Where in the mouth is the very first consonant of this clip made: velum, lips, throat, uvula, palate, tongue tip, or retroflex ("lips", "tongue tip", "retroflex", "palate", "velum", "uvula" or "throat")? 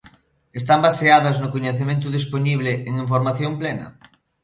tongue tip